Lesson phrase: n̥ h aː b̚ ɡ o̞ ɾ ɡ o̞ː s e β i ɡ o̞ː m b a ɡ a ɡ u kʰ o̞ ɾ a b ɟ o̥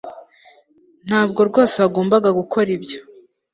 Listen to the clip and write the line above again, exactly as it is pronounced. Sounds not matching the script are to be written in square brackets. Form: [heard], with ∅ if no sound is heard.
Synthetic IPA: n̥ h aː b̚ ɡ o̞ ɾ ɡ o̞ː s e β [a] ɡ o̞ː m b a ɡ a ɡ u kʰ o̞ ɾ [i] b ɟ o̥